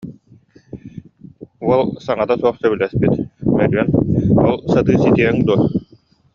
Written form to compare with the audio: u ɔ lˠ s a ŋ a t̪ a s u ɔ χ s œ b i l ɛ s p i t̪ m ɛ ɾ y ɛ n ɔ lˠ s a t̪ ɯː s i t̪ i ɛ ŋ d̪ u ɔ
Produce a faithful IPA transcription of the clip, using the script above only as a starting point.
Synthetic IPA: u ɔ lˠ s a ŋ a t̪ a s u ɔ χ s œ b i l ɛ s p i t̪ m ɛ ɾ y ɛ n ɔ lˠ s a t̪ ɯː s i t̪ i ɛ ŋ d̪ u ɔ